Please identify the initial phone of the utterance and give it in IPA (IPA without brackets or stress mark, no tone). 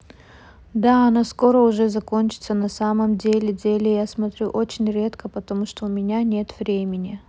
d̪